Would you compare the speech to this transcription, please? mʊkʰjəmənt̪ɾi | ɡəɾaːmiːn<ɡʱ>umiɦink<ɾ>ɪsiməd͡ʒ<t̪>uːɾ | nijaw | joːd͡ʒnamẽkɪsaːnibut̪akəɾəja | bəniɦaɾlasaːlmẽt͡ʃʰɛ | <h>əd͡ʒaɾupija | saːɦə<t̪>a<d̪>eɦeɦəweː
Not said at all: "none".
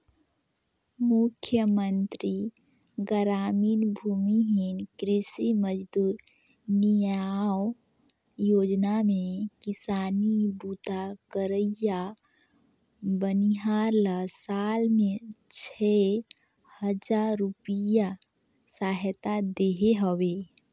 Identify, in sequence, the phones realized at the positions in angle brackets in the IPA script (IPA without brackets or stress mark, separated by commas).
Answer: bʱ, ɾ, d̪, h, t̪, d̪